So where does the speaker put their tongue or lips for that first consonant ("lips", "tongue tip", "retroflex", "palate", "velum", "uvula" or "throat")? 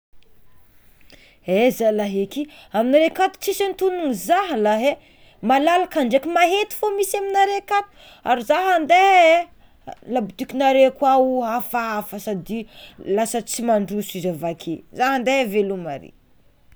tongue tip